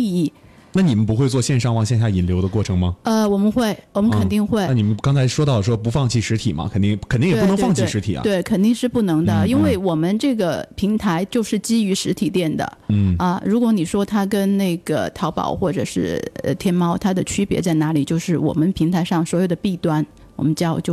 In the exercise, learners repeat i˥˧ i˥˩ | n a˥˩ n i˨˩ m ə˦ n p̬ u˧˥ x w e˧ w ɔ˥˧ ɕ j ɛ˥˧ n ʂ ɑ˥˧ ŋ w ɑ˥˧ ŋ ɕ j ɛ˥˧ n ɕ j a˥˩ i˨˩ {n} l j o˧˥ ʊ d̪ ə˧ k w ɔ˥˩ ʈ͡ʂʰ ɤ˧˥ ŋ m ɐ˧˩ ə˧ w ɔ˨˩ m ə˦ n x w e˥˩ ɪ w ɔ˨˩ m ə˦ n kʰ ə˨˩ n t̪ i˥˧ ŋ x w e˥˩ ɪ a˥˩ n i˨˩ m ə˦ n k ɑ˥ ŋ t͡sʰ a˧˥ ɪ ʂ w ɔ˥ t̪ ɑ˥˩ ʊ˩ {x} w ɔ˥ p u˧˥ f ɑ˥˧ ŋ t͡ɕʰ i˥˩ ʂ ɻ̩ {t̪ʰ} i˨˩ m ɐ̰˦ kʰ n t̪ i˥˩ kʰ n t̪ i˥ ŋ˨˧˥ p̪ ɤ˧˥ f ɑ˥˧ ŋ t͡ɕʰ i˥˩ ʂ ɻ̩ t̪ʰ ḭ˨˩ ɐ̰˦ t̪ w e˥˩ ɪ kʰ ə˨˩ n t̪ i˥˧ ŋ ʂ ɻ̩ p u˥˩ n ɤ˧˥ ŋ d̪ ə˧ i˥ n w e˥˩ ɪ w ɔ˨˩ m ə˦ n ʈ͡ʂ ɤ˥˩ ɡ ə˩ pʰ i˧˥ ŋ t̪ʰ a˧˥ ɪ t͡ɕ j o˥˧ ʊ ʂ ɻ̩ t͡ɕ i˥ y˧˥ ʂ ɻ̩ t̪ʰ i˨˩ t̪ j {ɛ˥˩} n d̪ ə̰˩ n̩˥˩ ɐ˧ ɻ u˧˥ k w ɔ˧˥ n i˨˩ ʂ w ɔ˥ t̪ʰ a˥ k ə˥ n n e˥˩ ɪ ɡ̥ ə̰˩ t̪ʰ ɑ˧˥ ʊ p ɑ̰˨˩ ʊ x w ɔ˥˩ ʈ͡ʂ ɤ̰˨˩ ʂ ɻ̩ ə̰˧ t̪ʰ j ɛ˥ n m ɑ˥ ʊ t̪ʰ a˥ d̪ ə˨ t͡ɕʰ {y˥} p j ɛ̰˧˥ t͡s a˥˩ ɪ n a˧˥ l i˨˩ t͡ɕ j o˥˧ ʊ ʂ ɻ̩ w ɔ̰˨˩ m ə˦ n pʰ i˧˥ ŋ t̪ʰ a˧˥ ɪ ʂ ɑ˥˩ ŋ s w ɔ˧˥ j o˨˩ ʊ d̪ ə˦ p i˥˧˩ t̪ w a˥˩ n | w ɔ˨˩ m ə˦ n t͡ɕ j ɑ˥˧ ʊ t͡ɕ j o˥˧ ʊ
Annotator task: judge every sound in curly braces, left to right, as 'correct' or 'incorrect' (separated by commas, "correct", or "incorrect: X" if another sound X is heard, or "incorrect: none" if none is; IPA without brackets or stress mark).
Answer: correct, incorrect: ʂ, correct, correct, correct